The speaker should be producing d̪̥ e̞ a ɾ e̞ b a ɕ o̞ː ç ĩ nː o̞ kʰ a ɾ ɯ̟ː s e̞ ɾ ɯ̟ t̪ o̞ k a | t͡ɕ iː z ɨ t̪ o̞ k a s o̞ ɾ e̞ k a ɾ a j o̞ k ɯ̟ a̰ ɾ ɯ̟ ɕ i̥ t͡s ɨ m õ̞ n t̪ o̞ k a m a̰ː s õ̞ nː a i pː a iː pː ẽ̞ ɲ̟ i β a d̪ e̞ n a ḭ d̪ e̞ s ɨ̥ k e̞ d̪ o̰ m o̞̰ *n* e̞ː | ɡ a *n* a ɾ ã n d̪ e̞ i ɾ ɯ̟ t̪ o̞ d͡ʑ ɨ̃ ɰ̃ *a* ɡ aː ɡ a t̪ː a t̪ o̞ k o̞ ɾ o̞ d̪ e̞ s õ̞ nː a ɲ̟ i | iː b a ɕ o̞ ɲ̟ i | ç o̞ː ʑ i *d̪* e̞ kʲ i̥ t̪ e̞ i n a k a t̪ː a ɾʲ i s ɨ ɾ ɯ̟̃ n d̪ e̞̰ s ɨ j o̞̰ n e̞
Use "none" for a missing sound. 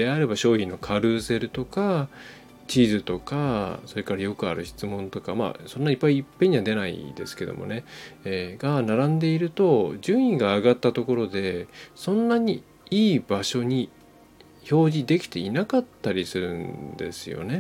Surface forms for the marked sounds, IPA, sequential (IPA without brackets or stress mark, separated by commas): n, n, i, d̪